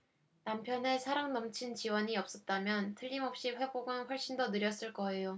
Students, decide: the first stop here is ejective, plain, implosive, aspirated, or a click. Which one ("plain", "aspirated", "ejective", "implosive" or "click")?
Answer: aspirated